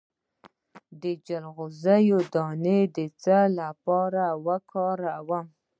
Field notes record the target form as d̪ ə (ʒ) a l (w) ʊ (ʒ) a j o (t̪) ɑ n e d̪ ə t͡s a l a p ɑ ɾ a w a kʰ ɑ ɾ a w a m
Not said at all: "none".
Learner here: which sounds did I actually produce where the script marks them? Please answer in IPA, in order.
d͡ʒ, ɣ, z, d̪

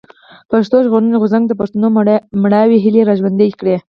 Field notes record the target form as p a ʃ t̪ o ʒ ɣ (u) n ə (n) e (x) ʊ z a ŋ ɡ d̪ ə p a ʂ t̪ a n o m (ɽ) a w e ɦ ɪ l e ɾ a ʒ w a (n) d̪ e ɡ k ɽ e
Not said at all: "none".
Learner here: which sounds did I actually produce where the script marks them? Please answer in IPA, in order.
o, n, ɣ, ɽ, n

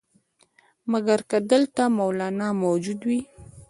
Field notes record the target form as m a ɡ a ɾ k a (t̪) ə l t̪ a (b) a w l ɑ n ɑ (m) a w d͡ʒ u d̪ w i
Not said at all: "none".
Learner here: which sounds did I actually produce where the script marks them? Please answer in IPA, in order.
d̪, m, m

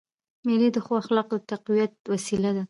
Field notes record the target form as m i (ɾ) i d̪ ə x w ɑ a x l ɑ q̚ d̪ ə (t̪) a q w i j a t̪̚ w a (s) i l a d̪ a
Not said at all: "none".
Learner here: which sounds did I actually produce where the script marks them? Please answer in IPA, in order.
l, t̪, s

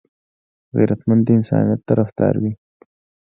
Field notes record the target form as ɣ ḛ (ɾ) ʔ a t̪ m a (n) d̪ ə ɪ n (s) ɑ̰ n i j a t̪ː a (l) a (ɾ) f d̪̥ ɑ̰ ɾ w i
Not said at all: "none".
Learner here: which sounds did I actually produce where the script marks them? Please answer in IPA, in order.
ɾ, n, s, ɾ, none

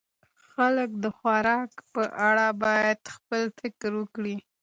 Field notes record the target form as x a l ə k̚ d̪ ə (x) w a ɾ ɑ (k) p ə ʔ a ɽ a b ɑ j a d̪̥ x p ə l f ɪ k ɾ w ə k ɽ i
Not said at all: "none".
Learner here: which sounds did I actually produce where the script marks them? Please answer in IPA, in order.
x, k

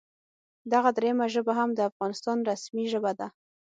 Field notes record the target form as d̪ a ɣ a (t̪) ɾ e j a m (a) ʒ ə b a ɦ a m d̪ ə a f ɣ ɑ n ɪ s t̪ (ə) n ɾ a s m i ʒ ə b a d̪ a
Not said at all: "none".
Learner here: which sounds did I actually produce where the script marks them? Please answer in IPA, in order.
d̪, a, ɑ

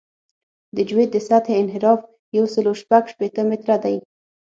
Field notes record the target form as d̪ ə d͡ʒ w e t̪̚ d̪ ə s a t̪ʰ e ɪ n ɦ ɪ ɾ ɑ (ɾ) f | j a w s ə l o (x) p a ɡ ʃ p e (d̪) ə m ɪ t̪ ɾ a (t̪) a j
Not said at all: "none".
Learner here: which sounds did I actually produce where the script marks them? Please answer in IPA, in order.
none, ʃ, t̪, d̪

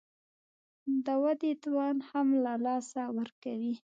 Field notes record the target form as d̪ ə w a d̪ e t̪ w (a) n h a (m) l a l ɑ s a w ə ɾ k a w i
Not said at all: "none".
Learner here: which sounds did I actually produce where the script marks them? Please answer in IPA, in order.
ɑ, m

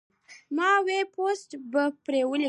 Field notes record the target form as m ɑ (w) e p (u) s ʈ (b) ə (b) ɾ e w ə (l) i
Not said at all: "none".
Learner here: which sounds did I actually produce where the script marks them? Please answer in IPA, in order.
w, o, b, p, l

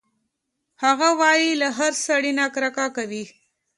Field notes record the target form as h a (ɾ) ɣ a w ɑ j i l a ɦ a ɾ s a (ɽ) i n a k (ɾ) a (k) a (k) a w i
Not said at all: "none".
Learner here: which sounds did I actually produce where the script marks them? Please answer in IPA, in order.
none, ɽ, ɾ, k, k

